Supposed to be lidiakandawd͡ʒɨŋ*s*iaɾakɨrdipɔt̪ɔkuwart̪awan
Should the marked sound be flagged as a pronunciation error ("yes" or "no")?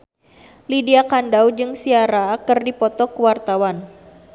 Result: no